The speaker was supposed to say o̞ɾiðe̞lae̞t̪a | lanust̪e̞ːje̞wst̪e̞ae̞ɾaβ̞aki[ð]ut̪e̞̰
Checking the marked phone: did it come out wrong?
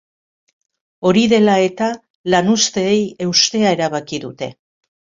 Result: no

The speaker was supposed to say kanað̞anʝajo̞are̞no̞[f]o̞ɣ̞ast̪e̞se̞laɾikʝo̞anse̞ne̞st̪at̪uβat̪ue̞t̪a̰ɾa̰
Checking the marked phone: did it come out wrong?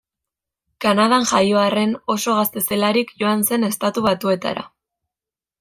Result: yes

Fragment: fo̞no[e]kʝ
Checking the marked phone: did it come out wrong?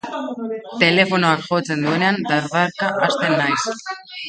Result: yes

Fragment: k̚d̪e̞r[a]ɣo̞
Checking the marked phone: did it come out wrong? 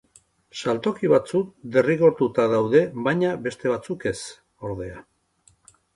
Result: yes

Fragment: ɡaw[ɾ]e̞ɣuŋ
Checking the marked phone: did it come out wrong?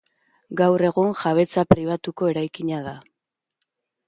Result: yes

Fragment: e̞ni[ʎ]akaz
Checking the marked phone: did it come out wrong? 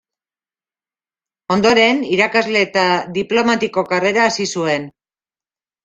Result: yes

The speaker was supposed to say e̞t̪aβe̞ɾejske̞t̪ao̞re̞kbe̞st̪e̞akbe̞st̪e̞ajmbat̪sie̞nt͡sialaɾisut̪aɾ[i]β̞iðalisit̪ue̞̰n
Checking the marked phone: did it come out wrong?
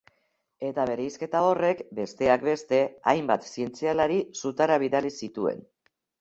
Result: yes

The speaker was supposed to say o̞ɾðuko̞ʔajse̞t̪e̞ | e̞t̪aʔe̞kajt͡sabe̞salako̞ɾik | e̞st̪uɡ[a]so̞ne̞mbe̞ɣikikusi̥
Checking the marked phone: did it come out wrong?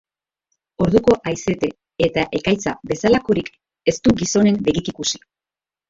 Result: yes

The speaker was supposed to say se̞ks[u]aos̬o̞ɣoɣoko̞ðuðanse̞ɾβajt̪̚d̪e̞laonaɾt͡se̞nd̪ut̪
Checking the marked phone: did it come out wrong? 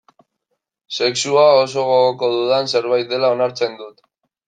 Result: no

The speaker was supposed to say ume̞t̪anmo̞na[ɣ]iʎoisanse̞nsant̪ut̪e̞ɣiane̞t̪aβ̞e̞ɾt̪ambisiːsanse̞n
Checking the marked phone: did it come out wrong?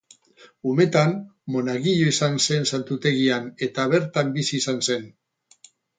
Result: no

